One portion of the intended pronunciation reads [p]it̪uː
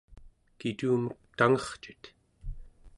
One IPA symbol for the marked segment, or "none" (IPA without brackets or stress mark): k